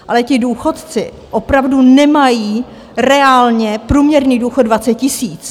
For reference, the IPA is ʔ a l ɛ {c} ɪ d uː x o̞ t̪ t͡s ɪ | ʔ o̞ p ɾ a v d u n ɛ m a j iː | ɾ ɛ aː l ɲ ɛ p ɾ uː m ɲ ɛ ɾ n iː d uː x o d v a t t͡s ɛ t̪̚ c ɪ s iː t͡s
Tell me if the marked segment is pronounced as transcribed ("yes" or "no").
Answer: yes